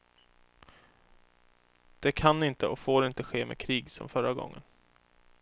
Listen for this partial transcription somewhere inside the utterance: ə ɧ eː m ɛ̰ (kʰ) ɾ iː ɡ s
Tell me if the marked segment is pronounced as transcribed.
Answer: yes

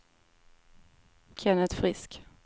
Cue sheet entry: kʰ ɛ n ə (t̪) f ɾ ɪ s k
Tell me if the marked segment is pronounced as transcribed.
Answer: yes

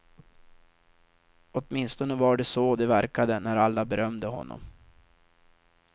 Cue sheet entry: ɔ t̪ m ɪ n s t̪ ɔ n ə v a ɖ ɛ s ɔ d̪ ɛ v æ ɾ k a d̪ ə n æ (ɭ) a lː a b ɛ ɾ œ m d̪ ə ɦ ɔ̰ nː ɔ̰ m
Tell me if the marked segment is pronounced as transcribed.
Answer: no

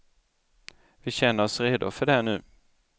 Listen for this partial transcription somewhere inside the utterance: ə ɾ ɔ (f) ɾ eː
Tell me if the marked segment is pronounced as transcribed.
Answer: no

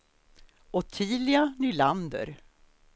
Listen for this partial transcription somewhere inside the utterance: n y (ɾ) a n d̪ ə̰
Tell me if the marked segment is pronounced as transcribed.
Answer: no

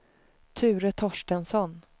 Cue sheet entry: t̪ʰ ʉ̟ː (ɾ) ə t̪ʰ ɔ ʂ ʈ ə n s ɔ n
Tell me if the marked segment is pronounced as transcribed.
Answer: yes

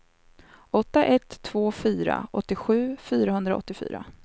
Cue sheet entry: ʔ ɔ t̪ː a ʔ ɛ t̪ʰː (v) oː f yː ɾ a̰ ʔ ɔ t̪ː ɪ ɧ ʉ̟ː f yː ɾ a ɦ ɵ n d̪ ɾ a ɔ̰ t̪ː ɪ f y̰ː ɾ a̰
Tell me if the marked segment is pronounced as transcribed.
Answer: yes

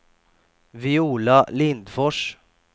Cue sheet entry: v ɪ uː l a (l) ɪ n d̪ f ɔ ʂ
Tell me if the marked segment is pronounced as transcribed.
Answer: yes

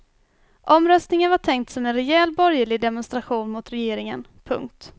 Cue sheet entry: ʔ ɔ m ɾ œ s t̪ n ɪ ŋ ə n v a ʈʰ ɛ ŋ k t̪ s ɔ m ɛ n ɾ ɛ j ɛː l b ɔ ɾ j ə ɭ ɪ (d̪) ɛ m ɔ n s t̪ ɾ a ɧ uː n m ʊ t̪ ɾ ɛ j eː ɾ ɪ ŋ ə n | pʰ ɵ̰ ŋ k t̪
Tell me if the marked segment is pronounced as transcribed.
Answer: yes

